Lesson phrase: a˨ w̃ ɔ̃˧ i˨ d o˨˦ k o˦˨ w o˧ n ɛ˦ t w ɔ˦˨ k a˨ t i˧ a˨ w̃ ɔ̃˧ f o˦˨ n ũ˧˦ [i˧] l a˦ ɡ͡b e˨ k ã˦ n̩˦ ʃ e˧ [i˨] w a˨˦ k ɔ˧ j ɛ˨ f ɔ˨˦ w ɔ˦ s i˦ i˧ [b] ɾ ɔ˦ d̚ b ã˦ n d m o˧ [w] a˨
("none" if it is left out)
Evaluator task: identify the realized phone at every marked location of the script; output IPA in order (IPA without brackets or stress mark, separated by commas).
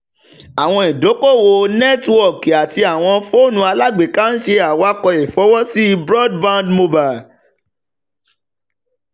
a˧, a˨, b, b